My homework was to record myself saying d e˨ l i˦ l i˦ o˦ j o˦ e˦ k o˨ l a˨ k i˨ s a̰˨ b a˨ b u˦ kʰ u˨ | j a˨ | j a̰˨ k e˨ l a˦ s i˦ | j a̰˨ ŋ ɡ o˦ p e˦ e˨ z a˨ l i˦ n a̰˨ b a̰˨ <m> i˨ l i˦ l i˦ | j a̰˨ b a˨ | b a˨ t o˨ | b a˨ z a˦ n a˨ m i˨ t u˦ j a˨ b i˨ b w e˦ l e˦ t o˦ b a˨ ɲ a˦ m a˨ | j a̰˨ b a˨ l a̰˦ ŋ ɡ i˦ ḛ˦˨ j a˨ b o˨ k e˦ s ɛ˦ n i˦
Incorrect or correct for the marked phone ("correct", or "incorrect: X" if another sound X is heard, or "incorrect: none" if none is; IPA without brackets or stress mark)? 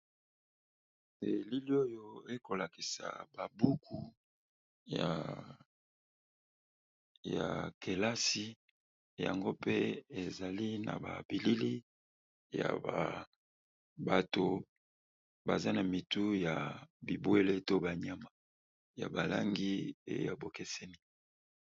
incorrect: b